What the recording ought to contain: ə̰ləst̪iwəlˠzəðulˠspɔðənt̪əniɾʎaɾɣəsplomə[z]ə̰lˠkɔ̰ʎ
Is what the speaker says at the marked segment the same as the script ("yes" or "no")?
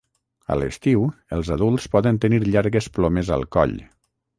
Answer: yes